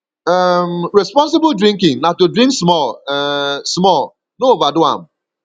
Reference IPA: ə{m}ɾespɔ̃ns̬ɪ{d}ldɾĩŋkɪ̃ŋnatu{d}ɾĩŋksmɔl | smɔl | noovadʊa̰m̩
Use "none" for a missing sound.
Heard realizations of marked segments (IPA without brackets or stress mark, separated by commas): m, b, d